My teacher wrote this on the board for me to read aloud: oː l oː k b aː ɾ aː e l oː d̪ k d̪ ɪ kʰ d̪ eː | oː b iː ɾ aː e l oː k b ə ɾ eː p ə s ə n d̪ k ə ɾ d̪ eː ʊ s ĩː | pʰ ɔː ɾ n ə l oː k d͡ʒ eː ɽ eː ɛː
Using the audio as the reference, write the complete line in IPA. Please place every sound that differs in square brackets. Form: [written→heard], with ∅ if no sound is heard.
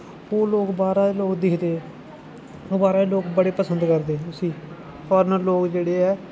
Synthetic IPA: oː l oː k b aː ɾ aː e l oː [d̪→∅] k d̪ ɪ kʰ d̪ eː | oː b [iː→aː] ɾ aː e l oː k b ə [ɾ→ɽ] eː p ə s ə n d̪ k ə ɾ d̪ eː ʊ s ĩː | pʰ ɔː ɾ n ə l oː k d͡ʒ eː ɽ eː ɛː